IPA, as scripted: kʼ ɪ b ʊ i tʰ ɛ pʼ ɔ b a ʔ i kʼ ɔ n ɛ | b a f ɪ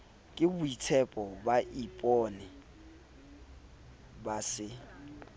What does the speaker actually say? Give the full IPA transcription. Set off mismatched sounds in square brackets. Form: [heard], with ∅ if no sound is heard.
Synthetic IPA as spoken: kʼ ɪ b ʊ i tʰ ɛ pʼ ɔ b a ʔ i [pʼ] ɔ n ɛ | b a [s] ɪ